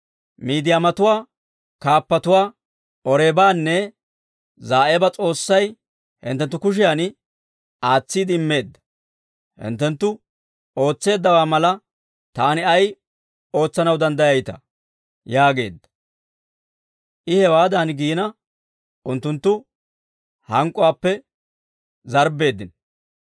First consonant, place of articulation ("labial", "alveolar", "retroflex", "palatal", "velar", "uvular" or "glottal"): labial